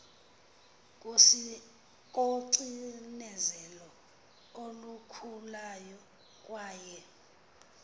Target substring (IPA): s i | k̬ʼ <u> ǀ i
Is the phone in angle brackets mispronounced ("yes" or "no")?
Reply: yes